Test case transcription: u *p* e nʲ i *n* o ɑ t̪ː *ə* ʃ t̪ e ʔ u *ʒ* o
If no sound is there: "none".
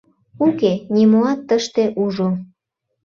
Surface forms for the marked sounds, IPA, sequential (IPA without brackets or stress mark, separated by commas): k, m, ə, ʒ